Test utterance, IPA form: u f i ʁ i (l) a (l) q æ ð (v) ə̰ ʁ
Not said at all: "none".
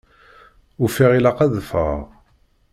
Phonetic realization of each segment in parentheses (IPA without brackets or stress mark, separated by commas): l, none, f